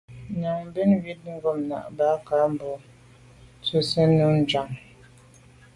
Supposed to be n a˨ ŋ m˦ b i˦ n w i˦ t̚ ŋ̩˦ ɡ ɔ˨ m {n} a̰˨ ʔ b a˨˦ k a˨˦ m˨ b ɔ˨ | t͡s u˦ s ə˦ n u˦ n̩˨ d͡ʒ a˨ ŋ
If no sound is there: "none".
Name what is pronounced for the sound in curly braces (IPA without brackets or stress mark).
n